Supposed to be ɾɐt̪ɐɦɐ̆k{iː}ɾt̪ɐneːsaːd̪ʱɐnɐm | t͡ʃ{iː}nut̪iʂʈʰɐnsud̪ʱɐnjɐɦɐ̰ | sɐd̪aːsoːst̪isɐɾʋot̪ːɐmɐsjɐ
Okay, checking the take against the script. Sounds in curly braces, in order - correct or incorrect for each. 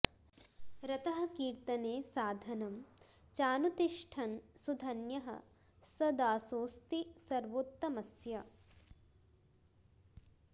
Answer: correct, incorrect

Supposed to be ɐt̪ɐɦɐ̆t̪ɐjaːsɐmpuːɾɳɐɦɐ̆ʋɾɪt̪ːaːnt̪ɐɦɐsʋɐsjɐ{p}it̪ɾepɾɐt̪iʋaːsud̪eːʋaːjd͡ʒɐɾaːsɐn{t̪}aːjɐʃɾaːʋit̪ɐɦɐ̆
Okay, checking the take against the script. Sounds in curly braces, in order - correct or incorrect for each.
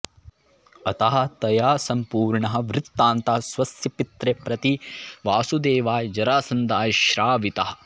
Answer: correct, incorrect

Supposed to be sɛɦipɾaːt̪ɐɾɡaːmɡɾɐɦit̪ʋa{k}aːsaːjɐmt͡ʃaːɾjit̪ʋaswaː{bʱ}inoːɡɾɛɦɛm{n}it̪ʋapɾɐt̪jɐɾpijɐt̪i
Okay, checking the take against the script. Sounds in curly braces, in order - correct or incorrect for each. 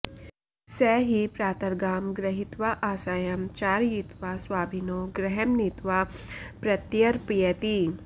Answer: incorrect, correct, correct

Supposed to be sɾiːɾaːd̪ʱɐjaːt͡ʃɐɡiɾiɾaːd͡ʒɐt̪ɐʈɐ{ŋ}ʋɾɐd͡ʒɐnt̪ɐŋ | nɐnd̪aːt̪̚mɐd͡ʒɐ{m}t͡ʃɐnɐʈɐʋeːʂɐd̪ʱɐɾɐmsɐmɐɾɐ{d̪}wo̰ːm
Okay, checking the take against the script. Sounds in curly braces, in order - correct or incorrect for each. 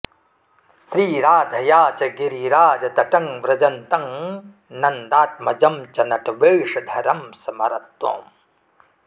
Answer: correct, correct, incorrect

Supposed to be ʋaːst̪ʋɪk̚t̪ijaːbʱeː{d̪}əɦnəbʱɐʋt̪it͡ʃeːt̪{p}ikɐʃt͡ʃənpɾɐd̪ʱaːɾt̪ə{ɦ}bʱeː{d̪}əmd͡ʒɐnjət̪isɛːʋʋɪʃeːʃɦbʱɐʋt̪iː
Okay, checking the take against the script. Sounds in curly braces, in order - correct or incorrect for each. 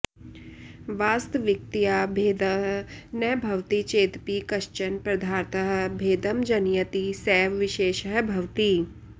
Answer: correct, correct, correct, correct

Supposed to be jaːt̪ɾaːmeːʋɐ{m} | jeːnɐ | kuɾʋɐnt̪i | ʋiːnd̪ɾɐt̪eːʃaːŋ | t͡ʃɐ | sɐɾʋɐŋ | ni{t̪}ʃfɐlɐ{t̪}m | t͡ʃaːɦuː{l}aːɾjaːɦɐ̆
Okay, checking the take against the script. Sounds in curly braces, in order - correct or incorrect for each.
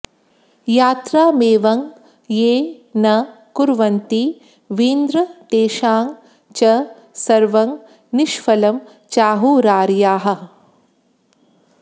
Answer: incorrect, incorrect, incorrect, incorrect

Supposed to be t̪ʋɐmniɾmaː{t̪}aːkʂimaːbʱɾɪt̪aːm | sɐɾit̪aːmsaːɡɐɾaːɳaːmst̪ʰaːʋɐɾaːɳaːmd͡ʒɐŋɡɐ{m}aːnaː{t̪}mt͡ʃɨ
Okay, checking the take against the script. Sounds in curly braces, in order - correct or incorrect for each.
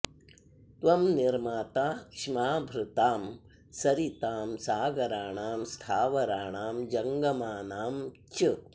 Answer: correct, correct, incorrect

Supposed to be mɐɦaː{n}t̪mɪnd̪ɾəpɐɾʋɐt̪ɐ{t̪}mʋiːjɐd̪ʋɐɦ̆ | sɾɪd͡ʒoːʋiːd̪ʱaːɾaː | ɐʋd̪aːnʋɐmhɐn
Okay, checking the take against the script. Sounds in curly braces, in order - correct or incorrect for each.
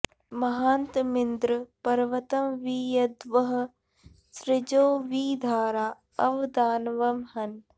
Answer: correct, incorrect

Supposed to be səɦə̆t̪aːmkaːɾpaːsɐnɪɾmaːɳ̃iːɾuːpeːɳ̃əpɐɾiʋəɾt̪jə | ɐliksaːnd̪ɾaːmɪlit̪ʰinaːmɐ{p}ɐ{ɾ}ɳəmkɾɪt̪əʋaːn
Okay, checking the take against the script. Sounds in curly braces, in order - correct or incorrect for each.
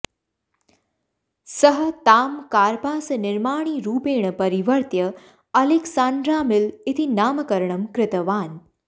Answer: incorrect, correct

